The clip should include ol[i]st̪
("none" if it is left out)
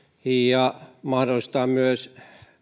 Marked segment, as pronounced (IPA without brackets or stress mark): i